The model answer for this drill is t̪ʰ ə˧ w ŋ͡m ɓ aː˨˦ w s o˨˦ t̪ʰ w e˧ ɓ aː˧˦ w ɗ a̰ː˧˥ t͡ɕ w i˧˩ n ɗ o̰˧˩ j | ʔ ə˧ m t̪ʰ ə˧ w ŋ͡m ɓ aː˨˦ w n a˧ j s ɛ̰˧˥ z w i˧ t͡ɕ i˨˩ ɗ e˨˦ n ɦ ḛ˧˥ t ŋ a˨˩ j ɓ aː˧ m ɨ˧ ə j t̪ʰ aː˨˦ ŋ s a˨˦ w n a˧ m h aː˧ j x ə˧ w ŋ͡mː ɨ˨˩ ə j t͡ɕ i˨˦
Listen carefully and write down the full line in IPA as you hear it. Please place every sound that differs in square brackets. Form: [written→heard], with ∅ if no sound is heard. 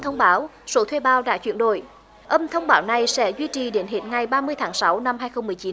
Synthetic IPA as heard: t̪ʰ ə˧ w ŋ͡m ɓ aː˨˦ w s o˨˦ t̪ʰ w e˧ ɓ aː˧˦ w ɗ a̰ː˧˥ t͡ɕ w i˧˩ n ɗ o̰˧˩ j | ʔ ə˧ m t̪ʰ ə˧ w ŋ͡m ɓ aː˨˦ w n [a˧→a˨˩] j s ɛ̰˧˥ z w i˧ t͡ɕ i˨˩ ɗ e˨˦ n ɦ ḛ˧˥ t ŋ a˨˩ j ɓ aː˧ m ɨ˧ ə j t̪ʰ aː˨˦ ŋ s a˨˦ w n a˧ m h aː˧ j x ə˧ w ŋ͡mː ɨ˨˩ ə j t͡ɕ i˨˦

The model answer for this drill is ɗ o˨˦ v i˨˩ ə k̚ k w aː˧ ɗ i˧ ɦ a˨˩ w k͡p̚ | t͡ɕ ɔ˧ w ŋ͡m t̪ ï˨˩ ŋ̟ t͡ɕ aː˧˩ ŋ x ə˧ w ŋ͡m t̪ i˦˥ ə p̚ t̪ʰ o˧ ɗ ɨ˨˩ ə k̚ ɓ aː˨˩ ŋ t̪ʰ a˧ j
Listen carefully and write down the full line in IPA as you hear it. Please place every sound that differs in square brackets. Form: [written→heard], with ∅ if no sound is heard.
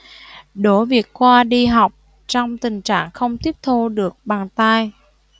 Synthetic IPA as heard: ɗ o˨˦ v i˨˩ ə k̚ k w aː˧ ɗ i˧ ɦ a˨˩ w k͡p̚ | t͡ɕ ɔ˧ w ŋ͡m t̪ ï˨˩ ŋ̟ t͡ɕ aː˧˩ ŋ x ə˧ w ŋ͡m t̪ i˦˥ ə p̚ t̪ʰ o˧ ɗ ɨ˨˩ ə k̚ ɓ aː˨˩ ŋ [t̪ʰ→t̪] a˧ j

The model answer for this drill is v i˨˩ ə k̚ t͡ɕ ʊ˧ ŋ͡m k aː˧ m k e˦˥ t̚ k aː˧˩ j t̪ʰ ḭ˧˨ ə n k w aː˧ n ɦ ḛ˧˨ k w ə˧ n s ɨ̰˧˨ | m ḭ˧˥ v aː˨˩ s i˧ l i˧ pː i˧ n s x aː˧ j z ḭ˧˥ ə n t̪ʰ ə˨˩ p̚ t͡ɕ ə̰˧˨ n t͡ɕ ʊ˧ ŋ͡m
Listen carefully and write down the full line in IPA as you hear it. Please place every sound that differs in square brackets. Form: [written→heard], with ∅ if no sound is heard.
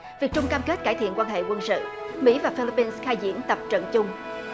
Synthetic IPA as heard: v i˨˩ ə k̚ t͡ɕ ʊ˧ ŋ͡m k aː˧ m k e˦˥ t̚ k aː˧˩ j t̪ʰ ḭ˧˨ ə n k w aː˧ n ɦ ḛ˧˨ k w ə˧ n s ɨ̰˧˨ | m ḭ˧˥ v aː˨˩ [s→f] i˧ l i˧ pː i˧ n s x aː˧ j z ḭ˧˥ ə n [t̪ʰ→t̪] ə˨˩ p̚ t͡ɕ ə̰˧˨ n t͡ɕ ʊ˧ ŋ͡m

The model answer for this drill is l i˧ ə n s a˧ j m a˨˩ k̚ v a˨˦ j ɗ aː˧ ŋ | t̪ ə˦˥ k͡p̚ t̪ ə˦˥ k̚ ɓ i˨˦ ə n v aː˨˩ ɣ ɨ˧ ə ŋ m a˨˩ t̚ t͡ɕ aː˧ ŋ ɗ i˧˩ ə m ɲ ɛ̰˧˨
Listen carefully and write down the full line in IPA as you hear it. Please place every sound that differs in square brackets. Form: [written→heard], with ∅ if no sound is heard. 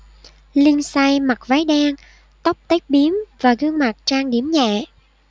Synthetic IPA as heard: l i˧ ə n s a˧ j m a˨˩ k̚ v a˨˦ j ɗ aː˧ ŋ | t̪ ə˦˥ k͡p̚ t̪ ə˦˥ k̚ ɓ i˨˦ ə [n→m] v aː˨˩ ɣ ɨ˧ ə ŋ m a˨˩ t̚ t͡ɕ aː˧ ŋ ɗ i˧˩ ə m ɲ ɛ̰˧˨

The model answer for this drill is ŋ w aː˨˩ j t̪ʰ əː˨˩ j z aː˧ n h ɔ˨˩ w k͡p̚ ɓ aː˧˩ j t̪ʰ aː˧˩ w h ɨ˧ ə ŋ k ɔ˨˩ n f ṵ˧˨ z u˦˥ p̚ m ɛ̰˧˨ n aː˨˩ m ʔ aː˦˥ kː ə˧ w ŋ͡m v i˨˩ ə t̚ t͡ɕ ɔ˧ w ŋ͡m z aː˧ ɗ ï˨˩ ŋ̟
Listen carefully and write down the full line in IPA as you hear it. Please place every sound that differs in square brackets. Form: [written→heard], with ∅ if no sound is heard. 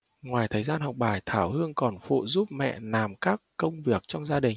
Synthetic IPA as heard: ŋ w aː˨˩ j t̪ʰ əː˨˩ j z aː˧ n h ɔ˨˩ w k͡p̚ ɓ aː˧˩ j t̪ʰ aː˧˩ w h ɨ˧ ə ŋ k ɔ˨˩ n f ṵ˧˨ z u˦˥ p̚ m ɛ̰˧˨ n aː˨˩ m [ʔ→k] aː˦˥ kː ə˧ w ŋ͡m v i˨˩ ə [t̚→k̚] t͡ɕ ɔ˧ w ŋ͡m z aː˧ ɗ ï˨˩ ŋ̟

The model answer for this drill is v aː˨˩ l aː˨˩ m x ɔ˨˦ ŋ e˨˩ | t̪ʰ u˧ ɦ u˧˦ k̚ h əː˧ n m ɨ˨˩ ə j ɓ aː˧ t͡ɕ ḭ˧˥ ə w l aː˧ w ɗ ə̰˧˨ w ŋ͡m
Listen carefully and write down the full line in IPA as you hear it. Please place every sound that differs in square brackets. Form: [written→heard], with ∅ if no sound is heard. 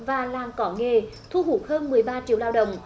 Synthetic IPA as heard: v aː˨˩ l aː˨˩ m [x→k] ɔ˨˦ ŋ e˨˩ | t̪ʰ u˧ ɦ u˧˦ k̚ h əː˧ n m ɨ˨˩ ə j ɓ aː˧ t͡ɕ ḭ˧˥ ə w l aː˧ w ɗ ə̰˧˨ w ŋ͡m

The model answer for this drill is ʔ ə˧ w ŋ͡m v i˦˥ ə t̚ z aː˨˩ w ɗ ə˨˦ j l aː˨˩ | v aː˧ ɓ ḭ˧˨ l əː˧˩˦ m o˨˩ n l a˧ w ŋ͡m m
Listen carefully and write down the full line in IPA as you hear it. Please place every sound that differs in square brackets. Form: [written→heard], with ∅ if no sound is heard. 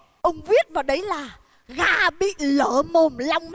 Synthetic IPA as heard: ʔ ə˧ w ŋ͡m v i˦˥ ə t̚ [z→v] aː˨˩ w ɗ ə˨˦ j l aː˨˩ | [v→ɣ] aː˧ ɓ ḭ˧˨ l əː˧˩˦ m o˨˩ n l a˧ w ŋ͡m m

